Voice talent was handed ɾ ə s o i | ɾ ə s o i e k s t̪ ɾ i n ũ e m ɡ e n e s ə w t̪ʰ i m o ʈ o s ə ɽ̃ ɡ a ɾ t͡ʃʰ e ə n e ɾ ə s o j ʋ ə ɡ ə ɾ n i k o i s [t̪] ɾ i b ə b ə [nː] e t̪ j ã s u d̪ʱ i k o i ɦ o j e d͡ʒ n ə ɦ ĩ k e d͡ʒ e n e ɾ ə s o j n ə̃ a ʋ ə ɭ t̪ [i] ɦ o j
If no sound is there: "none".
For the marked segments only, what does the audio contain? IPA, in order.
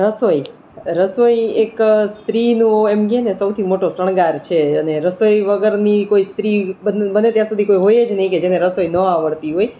t̪, n, i

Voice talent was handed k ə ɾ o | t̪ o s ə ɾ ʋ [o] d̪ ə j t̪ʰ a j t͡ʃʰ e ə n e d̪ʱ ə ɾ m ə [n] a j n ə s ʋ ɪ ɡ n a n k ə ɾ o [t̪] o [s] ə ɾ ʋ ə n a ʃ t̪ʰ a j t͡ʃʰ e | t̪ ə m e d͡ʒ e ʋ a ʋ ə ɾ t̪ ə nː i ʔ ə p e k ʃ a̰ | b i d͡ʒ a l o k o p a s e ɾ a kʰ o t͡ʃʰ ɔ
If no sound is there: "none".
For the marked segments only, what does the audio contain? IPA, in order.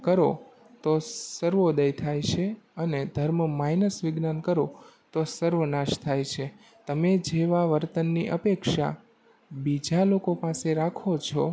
o, m, t̪, s

